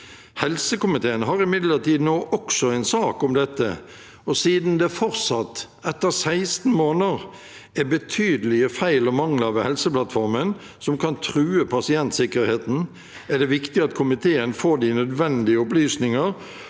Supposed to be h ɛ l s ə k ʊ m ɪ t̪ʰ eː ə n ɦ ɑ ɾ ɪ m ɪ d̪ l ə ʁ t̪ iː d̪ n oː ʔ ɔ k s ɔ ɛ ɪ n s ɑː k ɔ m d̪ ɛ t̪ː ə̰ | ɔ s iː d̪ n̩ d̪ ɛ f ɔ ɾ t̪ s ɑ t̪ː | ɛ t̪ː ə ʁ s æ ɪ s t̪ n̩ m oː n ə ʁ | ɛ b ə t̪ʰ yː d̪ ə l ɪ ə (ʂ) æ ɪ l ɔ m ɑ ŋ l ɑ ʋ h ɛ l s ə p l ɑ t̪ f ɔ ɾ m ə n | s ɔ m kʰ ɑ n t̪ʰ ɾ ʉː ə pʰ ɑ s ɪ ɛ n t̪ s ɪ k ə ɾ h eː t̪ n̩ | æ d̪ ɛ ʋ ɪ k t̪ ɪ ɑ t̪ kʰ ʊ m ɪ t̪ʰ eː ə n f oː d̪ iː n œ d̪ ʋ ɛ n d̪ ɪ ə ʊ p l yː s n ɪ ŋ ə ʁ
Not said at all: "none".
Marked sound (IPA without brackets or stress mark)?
f